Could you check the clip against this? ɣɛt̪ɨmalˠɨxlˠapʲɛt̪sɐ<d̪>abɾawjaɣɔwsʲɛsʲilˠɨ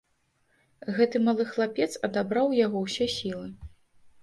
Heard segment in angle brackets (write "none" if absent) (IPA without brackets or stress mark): d̪